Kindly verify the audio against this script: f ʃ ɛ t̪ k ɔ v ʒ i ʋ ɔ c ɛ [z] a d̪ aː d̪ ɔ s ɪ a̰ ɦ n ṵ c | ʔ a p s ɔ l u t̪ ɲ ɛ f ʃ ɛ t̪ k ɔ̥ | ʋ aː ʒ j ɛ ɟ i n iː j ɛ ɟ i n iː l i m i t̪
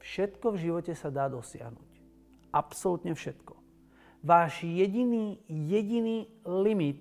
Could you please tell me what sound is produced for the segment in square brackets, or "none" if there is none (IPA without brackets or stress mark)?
s